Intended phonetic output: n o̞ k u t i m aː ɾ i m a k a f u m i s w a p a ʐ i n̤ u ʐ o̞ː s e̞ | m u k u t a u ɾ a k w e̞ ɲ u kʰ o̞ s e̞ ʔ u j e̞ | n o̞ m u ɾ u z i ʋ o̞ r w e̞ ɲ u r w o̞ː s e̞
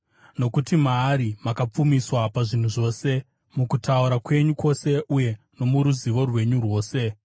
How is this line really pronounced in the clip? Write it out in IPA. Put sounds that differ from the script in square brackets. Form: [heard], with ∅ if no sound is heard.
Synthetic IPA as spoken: n o̞ k u t i m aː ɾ i m a k a [p͡f] u m i s w a p a ʐ i n̤ u ʐ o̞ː s e̞ | m u k u t a u ɾ a k w e̞ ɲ u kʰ o̞ s e̞ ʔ u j e̞ | n o̞ m u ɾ u z i ʋ o̞ r w e̞ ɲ u r w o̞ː s e̞